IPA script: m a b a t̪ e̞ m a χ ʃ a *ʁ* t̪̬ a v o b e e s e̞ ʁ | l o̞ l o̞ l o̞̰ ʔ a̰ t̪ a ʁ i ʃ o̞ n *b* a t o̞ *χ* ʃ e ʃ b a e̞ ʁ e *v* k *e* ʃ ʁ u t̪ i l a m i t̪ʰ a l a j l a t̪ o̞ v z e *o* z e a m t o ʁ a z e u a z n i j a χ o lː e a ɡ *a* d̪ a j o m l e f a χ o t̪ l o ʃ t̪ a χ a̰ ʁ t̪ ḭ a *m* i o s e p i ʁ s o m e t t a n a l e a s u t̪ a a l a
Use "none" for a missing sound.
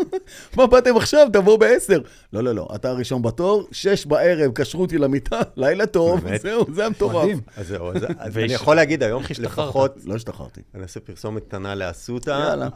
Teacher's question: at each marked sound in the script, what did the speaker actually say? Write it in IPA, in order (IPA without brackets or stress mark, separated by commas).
v, b, ʁ, v, a, u, i, n